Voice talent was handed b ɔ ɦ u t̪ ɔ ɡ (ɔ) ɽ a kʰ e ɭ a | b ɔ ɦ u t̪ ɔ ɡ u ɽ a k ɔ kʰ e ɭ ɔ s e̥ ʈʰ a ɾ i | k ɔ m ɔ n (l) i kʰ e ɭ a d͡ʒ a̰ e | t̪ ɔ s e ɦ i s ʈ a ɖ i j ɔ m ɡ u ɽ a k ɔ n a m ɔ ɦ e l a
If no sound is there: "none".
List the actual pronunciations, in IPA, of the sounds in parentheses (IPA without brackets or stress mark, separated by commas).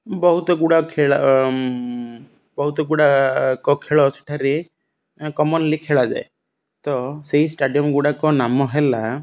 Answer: u, l